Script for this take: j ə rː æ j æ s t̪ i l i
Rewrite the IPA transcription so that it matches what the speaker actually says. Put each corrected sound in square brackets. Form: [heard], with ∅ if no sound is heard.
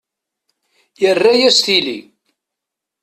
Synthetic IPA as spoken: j ə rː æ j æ s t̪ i l i